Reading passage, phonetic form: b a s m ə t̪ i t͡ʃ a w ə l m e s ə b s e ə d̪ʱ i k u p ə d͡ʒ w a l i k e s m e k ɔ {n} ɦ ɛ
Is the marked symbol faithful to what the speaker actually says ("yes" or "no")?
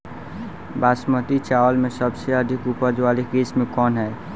yes